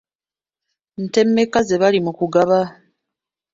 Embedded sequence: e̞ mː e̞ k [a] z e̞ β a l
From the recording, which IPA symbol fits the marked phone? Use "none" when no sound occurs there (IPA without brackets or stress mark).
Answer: a